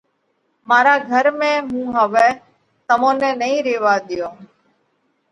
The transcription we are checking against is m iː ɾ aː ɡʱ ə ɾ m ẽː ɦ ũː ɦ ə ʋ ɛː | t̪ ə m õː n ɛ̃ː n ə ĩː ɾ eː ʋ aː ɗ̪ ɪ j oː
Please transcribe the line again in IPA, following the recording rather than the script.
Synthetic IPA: m aː ɾ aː ɡʱ ə ɾ m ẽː ɦ ũː ɦ ə ʋ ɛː | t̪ ə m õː n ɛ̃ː n ə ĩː ɾ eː ʋ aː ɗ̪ ɪ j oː